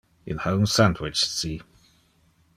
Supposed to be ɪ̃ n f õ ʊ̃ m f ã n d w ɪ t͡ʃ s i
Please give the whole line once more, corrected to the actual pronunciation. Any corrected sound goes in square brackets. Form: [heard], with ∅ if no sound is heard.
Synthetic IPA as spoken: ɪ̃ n [h] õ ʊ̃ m [s] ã n d w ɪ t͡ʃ s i